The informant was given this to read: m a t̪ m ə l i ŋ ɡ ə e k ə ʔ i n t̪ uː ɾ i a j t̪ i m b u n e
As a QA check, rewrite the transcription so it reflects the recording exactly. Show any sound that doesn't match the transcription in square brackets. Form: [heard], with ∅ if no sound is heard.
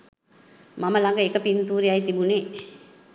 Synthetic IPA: m a [∅] m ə l [a] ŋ ɡ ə e k ə [p] i n t̪ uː ɾ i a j t̪ i [∅] b u n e